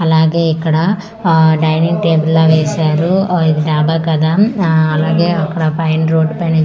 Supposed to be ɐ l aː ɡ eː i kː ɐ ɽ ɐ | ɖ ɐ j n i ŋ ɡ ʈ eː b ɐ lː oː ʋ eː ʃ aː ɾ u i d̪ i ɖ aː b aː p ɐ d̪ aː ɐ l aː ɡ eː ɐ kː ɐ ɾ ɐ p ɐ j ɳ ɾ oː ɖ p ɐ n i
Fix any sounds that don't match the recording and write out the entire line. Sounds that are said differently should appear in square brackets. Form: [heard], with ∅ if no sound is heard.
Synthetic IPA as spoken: ɐ l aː ɡ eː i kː ɐ ɽ ɐ | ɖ ɐ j n i ŋ ɡ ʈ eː b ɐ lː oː ʋ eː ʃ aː ɾ u i d̪ i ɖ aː b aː [k] ɐ d̪ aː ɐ l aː ɡ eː ɐ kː ɐ [ɽ] ɐ p ɐ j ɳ ɾ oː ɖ p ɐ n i